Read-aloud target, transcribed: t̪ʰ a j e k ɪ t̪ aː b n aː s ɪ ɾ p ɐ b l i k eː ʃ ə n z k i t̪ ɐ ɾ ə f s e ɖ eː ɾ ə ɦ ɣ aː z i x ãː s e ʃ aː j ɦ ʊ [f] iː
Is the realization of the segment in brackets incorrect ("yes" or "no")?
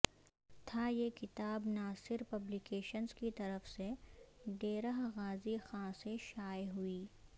yes